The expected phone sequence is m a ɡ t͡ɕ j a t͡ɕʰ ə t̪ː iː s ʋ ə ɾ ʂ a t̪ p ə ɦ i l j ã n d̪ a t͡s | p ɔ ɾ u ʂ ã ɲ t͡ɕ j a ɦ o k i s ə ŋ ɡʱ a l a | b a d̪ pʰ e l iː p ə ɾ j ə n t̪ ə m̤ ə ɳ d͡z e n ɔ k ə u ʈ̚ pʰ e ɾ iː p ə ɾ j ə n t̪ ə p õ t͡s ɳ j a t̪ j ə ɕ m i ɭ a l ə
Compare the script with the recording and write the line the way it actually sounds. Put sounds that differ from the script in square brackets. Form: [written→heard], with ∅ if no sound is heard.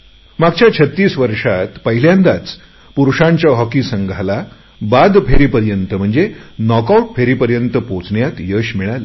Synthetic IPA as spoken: m a ɡ t͡ɕ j a t͡ɕʰ ə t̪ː iː s ʋ ə ɾ ʂ a t̪ p ə ɦ i l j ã n d̪ a t͡s | p [ɔ→u] ɾ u ʂ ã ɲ t͡ɕ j a ɦ [o→ɔ] k i s ə ŋ ɡʱ a l a | b a d̪ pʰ e [l→ɾ] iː p ə ɾ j ə n t̪ ə m̤ ə ɳ d͡z e n ɔ k [ə→a] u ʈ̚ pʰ e ɾ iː p ə ɾ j ə n t̪ ə p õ t͡s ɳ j a t̪ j ə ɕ m i ɭ a l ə